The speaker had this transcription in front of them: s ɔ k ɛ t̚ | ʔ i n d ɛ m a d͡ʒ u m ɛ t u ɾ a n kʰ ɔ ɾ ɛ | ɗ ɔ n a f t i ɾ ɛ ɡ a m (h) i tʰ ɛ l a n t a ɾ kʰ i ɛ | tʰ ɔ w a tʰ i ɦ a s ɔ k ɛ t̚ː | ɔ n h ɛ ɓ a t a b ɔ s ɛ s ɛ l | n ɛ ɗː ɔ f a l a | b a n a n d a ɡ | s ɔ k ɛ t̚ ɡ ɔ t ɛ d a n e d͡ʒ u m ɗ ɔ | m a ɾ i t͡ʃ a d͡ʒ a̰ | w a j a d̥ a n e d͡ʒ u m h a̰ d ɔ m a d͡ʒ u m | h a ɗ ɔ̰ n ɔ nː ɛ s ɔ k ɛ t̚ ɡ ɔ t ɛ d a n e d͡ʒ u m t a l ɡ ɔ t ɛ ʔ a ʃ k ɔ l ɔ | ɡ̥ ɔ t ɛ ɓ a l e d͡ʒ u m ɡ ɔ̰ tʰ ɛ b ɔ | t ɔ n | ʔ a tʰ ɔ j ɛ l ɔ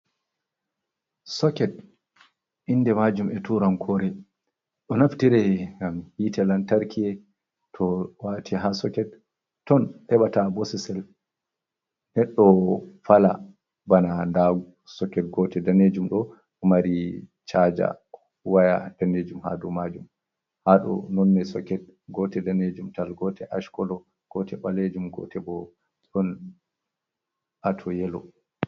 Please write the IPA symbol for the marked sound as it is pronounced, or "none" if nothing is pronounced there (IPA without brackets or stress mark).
h